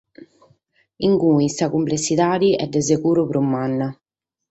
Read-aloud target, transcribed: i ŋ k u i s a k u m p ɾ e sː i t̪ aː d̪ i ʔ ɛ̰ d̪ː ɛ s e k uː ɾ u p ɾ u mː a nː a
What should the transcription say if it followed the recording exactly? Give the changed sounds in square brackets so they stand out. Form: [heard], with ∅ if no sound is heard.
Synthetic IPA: i ŋ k u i s a k u m p [l] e sː i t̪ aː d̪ i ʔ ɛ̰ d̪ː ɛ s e k uː ɾ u p ɾ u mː a nː a